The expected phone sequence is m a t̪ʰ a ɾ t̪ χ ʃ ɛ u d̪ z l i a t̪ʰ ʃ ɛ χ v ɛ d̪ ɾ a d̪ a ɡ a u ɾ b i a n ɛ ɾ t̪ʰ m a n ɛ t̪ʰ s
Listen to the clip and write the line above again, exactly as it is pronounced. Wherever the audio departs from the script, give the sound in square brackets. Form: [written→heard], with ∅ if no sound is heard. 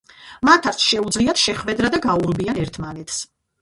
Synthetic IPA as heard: m a t̪ʰ a ɾ t̪ [χ→s] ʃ ɛ u d̪ z l i a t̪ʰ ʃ ɛ χ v ɛ d̪ ɾ a d̪ a ɡ a u ɾ b i a n ɛ ɾ t̪ʰ m a n ɛ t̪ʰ s

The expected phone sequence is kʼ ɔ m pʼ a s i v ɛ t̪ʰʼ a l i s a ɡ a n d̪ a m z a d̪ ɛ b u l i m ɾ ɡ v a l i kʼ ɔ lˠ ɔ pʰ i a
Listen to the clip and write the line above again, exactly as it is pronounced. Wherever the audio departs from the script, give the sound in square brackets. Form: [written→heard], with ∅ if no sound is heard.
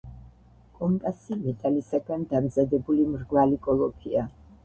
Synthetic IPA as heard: kʼ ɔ m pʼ a s i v ɛ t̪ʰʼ a l i s a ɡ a n d̪ a m z a d̪ ɛ b u l i m ɾ ɡ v a l i kʼ ɔ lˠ ɔ pʰ i a

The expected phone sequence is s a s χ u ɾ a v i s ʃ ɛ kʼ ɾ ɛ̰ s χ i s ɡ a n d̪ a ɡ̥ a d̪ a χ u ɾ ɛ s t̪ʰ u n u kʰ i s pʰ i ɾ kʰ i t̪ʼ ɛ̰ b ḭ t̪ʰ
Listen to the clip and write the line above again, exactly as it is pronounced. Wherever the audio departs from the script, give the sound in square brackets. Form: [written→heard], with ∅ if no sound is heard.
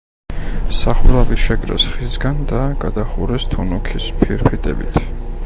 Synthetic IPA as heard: s a [s→∅] χ u ɾ a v i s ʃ ɛ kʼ ɾ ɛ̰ s χ i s ɡ a n d̪ a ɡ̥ a d̪ a χ u ɾ ɛ s t̪ʰ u n u kʰ i s pʰ i ɾ [kʰ→pʰ] i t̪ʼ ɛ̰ b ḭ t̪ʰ

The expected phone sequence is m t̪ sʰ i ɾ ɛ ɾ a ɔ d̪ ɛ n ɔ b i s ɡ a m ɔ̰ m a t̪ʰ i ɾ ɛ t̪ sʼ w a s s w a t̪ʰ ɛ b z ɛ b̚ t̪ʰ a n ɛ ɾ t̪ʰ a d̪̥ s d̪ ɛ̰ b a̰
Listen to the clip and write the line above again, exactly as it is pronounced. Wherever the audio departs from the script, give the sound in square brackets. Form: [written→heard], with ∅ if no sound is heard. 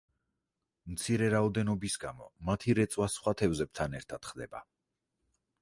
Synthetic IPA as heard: m t̪ sʰ i ɾ ɛ ɾ a ɔ d̪ ɛ n ɔ b i s ɡ a m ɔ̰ m a t̪ʰ i ɾ ɛ t̪ sʼ w a s [s→χ] w a t̪ʰ ɛ [b→v] z ɛ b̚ t̪ʰ a n ɛ ɾ t̪ʰ a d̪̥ [s→χ] d̪ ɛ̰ b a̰

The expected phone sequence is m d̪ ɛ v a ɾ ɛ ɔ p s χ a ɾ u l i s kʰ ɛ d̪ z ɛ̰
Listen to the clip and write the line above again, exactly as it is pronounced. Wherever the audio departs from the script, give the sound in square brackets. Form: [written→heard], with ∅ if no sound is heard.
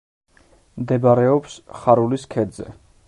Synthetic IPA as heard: m d̪ ɛ [v→b] a ɾ ɛ ɔ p s χ a ɾ u l i s kʰ ɛ d̪ z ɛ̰

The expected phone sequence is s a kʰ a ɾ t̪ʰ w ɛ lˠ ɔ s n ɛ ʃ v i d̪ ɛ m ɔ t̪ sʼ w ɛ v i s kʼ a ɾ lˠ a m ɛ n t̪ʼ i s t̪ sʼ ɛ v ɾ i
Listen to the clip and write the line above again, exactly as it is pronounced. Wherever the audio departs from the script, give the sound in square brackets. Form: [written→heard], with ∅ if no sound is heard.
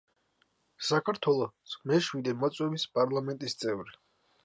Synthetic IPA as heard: s a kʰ a ɾ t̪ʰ w ɛ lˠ ɔ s [n→m] ɛ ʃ [v→w] i d̪ ɛ m ɔ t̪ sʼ w ɛ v i s [kʼ→pʼ] a ɾ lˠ a m ɛ n t̪ʼ i s t̪ sʼ ɛ v ɾ i

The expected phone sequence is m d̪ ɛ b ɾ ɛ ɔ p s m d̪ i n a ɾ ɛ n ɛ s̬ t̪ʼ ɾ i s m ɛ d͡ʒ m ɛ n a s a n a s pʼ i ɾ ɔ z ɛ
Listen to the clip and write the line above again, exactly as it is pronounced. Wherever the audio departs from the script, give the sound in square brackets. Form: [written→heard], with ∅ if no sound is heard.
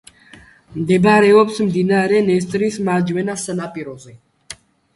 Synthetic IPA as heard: m d̪ ɛ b ɾ ɛ ɔ p s m d̪ i n a ɾ ɛ n ɛ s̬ t̪ʼ ɾ i s m [ɛ→a] d͡ʒ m ɛ n a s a n a [s→∅] pʼ i ɾ ɔ z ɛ

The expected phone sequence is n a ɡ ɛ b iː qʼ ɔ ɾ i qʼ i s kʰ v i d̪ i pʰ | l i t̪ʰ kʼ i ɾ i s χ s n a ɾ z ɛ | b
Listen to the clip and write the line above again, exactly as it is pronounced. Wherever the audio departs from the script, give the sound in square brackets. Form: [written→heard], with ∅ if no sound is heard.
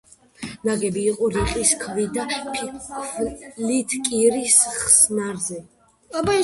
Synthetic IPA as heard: n a ɡ ɛ b iː qʼ ɔ ɾ i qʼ i s kʰ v i d̪ [i→a] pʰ | l i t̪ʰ kʼ i ɾ i s χ s n a ɾ z ɛ | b

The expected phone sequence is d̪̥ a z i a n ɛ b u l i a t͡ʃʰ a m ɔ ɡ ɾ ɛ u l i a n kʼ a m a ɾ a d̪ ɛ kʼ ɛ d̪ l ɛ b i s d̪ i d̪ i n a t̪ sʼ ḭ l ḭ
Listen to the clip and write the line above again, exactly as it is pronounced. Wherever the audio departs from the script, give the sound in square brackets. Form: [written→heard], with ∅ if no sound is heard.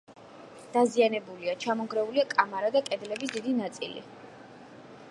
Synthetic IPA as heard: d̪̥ a z i a n ɛ b u l i a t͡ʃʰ a m ɔ ɡ ɾ ɛ u l i a [n→∅] kʼ a m a ɾ a d̪ [ɛ→a] kʼ ɛ d̪ l ɛ b i s d̪ i d̪ i n a t̪ sʼ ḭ l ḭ

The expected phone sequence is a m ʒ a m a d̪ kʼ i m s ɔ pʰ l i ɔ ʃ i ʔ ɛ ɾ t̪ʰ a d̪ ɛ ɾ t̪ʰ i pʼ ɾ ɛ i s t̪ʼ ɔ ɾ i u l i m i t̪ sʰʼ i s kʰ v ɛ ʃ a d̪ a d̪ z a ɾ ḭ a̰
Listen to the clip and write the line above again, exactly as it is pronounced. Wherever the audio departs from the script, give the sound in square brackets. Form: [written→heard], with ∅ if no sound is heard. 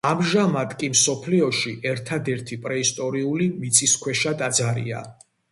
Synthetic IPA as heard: a m ʒ a m a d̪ kʼ i m s ɔ pʰ l i ɔ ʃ i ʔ ɛ ɾ t̪ʰ a d̪ ɛ ɾ t̪ʰ i pʼ ɾ ɛ i s t̪ʼ ɔ ɾ i u l i m i t̪ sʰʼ i s kʰ [v→w] ɛ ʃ a d̪ a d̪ z a ɾ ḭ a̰

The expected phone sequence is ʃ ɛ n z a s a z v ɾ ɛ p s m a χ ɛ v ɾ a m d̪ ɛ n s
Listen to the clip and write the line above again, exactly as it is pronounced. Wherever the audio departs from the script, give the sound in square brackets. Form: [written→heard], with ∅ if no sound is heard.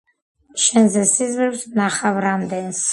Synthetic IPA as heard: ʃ ɛ n z [a→ɛ] s [a→i] z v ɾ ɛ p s [m→n] a χ [ɛ→a] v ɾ a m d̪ ɛ n s

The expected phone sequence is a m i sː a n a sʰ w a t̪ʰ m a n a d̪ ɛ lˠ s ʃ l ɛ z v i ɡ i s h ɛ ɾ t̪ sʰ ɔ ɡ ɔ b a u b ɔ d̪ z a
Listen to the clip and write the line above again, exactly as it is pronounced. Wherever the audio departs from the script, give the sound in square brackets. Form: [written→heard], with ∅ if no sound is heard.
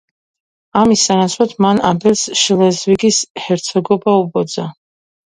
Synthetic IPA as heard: a m i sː a n a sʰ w a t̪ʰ m a n a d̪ ɛ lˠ s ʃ l ɛ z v i ɡ i s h ɛ ɾ t̪ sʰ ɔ ɡ ɔ b a u b ɔ d̪ z a

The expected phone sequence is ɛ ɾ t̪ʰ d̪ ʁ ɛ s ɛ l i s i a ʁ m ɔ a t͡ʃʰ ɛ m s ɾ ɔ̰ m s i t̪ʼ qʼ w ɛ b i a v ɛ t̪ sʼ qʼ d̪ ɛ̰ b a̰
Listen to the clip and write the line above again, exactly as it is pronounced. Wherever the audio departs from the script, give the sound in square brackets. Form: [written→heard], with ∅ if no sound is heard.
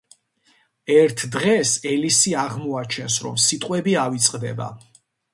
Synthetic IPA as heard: ɛ ɾ t̪ʰ d̪ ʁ ɛ s ɛ l i s i a ʁ m ɔ a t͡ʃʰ ɛ [m→n] s ɾ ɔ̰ m s i t̪ʼ qʼ w ɛ b i a v [ɛ→i] t̪ sʼ qʼ d̪ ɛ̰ b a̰

